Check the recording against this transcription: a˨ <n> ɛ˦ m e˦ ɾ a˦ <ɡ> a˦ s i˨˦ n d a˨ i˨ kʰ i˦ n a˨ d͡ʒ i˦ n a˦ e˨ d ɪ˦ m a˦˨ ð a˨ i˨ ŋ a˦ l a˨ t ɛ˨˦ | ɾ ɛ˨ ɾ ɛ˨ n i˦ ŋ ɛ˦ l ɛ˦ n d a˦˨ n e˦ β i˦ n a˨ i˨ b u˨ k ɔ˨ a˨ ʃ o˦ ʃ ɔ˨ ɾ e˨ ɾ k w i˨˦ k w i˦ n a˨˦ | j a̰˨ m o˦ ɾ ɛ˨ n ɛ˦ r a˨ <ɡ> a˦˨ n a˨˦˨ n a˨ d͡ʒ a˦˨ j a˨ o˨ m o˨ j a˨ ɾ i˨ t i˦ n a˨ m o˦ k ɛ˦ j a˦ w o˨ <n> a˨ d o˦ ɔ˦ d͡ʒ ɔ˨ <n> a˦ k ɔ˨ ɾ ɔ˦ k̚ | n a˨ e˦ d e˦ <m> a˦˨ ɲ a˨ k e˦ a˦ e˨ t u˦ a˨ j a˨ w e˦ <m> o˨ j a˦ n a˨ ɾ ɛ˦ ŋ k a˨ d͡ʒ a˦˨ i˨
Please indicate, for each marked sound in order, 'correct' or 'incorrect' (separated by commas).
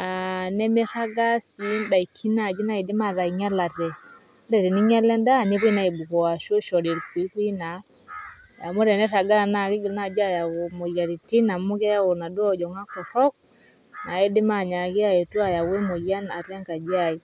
correct, correct, correct, correct, incorrect, correct, correct